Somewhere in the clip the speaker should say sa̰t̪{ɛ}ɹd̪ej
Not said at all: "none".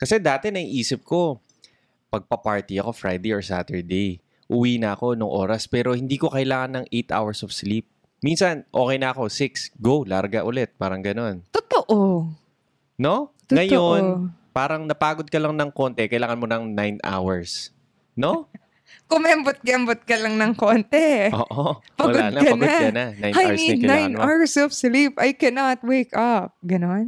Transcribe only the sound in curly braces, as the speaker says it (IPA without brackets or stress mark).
ɛ